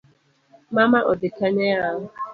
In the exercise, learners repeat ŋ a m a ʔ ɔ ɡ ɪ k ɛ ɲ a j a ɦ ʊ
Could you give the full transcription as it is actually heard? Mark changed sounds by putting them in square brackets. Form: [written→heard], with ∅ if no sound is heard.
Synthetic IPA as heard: [ŋ→m] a m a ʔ ɔ [ɡ→d] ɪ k [ɛ→a] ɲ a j a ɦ ʊ